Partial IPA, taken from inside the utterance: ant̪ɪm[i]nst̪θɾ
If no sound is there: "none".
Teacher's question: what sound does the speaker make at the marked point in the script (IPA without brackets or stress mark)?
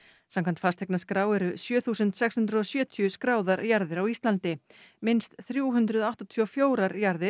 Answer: ɪ